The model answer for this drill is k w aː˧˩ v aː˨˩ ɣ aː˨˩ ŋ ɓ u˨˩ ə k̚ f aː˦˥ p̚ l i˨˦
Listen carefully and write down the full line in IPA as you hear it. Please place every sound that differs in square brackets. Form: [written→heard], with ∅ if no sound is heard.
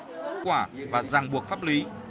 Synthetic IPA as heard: k w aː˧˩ v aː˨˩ [ɣ→z] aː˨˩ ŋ ɓ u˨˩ ə k̚ f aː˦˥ p̚ l i˨˦

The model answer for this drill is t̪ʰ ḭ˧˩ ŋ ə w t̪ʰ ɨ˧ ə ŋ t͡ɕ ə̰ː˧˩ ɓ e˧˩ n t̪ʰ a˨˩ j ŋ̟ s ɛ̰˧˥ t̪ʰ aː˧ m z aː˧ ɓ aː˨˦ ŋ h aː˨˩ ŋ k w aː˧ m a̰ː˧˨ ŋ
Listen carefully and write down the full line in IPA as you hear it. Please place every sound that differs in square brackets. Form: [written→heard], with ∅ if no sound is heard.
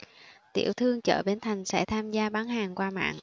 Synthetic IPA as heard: [t̪ʰ→t̪] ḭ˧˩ [ŋ→∅] ə w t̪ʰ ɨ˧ ə ŋ t͡ɕ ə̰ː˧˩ ɓ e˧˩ n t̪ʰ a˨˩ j ŋ̟ s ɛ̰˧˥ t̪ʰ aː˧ m z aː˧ ɓ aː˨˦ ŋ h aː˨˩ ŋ k w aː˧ m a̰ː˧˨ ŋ

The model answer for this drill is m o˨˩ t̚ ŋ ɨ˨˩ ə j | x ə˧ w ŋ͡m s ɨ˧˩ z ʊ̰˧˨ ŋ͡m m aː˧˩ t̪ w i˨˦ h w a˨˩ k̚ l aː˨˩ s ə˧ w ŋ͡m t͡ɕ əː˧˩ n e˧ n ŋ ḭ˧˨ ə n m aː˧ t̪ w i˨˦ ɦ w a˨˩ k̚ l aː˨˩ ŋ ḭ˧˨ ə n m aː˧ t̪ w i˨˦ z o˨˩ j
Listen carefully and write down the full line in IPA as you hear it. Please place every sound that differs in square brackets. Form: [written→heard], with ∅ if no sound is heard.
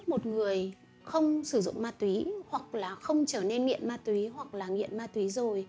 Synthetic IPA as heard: m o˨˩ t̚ ŋ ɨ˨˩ ə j | x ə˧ w ŋ͡m s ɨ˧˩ z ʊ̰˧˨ ŋ͡m m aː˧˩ t̪ w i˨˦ h w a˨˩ k̚ l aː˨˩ [s→x] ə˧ w ŋ͡m t͡ɕ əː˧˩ n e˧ n ŋ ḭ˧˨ ə n m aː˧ t̪ w i˨˦ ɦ w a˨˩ k̚ l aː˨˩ ŋ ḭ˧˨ ə n m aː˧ t̪ w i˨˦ z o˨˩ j

